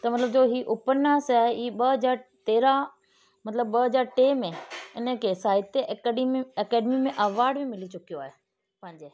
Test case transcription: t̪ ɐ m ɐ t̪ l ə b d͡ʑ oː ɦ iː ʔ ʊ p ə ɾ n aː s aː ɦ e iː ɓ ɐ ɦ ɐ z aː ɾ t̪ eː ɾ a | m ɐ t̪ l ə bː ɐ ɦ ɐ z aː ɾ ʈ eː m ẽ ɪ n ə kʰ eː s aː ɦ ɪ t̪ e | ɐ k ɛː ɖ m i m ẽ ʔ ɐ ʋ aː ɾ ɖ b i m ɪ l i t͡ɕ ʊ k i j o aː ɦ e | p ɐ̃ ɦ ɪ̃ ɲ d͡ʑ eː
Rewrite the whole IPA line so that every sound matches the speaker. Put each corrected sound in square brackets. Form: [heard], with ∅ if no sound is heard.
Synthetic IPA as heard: t̪ ɐ m ɐ t̪ l ə b d͡ʑ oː ɦ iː ʔ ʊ p ə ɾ n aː s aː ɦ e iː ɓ ɐ ɦ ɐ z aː ɾ t̪ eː ɾ a | m ɐ t̪ l ə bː ɐ ɦ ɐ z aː ɾ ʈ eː m ẽ ɪ n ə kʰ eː s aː ɦ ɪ t̪ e | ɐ k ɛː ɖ m i m ẽ ʔ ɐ ʋ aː ɾ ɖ b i m ɪ l i t͡ɕ ʊ k i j o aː ɦ e | p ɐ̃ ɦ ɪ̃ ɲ d͡ʑ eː